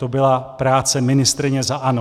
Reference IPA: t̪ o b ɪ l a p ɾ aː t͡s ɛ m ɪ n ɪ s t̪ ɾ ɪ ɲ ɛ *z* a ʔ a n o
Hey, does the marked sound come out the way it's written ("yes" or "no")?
yes